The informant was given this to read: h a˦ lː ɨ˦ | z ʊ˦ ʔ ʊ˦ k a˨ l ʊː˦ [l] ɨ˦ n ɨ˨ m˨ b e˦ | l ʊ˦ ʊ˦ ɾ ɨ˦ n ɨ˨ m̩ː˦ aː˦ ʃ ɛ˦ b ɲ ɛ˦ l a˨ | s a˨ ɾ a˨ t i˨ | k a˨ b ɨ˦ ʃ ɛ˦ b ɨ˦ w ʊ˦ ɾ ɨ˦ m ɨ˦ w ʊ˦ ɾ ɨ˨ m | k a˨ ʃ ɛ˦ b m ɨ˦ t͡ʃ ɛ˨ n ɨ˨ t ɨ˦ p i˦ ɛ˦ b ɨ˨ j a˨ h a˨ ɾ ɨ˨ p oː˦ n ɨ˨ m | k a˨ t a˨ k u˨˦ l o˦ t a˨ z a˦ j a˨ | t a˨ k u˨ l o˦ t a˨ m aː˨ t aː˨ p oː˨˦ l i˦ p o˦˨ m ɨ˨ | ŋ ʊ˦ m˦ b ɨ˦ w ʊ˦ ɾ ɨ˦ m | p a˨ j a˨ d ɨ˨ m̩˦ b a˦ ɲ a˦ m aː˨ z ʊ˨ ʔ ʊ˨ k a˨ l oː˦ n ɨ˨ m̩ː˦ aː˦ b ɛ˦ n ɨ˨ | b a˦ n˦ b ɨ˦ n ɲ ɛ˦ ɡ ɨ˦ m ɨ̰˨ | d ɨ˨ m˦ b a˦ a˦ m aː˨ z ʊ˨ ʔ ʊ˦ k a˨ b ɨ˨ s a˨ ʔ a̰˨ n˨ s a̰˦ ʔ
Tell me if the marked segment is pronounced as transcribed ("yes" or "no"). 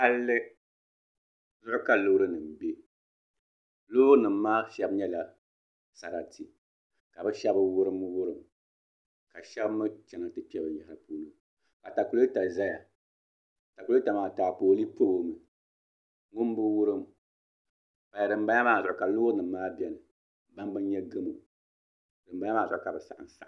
no